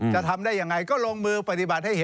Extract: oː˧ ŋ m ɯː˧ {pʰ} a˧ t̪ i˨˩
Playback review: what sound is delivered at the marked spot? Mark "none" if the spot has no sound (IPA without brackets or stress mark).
p